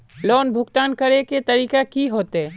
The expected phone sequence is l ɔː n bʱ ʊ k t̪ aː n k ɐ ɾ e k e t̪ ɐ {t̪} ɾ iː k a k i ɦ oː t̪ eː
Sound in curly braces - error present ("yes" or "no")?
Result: yes